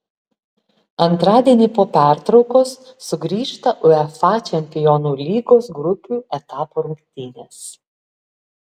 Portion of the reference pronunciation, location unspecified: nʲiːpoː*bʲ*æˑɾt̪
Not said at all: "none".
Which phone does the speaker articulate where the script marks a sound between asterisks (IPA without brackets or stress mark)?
pʲ